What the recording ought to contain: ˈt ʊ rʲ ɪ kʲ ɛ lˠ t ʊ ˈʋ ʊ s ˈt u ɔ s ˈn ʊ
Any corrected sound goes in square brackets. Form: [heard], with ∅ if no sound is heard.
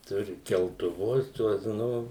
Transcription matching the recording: ˈt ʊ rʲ ɪ kʲ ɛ lˠ t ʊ ˈʋ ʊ s ˈt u ɔ s ˈn ʊ